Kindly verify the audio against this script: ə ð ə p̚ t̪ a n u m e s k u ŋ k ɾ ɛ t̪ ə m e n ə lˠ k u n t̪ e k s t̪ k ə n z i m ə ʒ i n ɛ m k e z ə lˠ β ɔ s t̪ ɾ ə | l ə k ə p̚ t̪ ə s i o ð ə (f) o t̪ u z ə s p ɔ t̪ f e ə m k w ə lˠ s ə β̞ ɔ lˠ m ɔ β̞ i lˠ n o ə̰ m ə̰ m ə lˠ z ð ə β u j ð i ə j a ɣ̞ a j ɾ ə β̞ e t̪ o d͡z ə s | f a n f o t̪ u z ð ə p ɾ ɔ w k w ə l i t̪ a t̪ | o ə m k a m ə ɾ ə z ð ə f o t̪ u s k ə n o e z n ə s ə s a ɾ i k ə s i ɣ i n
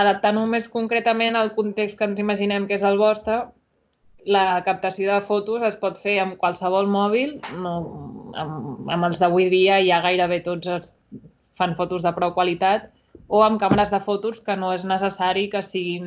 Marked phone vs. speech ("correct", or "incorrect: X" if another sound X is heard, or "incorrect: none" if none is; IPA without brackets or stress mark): correct